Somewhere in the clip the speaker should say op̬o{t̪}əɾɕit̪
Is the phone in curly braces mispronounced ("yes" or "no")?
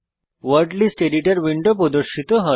yes